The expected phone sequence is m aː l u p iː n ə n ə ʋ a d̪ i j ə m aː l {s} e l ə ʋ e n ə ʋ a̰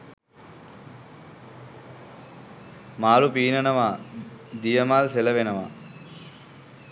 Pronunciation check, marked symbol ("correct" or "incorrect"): correct